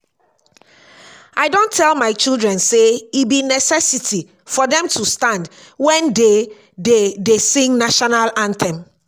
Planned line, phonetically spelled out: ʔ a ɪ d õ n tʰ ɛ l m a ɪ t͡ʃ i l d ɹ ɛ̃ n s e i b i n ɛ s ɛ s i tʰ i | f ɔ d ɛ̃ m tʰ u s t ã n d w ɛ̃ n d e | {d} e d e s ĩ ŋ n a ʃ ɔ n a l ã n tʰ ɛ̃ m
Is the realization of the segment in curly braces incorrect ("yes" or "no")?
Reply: no